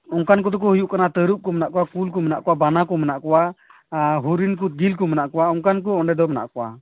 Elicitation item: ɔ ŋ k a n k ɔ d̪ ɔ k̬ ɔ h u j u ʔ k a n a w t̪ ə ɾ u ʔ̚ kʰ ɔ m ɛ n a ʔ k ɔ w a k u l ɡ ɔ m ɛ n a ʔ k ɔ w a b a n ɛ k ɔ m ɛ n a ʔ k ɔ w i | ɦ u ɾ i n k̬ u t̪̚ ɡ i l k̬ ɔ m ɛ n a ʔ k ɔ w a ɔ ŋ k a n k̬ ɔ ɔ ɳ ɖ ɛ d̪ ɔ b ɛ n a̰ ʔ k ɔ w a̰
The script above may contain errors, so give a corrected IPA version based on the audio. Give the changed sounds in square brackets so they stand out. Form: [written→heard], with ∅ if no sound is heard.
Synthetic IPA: ɔ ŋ k a n k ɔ d̪ ɔ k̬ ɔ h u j u ʔ k a n a [w→∅] t̪ ə ɾ u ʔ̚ [kʰ→k] ɔ m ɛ n a ʔ k ɔ w a k u l [ɡ→k] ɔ m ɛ n a ʔ k ɔ w a b a n [ɛ→a] k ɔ m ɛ n a ʔ k ɔ w [i→a] | ɦ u ɾ i n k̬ u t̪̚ ɡ i l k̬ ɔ m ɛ n a ʔ k ɔ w a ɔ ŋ k a n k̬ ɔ ɔ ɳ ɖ ɛ d̪ ɔ [b→m] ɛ n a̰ ʔ k ɔ w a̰